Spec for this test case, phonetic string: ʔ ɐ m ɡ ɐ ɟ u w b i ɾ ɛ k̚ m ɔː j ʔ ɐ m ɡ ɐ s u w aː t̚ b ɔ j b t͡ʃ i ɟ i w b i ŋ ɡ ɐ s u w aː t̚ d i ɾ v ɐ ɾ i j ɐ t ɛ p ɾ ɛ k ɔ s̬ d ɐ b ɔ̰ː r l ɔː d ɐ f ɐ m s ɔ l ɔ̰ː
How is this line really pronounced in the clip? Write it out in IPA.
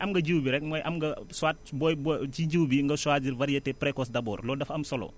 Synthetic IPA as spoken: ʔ ɐ m ɡ ɐ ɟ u w b i ɾ ɛ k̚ m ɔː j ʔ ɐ m ɡ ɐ s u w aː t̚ b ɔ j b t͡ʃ i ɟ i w b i ŋ ɡ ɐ s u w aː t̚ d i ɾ v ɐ ɾ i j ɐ t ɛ p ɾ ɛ k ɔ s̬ d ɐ b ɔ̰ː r l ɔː d ɐ f ɐ m s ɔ l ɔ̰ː